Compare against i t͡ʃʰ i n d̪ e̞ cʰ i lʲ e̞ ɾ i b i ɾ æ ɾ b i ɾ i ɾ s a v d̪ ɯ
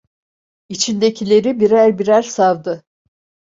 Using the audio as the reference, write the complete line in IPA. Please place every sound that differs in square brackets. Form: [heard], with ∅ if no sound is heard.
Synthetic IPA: i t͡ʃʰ i n d̪ e̞ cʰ i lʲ e̞ ɾ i b i ɾ æ ɾ b i ɾ [æ] ɾ s a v d̪ ɯ